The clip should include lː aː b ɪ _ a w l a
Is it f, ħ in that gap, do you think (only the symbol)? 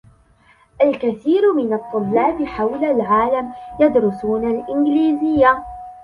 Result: ħ